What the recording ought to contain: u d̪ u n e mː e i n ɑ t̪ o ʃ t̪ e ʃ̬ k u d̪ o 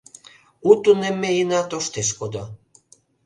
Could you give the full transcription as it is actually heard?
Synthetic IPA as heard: u t̪ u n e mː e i n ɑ t̪ o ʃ t̪ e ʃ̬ k o d̪ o